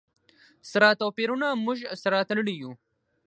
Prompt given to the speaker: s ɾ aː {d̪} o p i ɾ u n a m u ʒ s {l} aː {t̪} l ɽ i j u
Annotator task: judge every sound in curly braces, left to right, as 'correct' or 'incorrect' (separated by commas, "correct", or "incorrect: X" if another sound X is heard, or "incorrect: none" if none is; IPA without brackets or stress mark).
incorrect: t̪, incorrect: ɾ, correct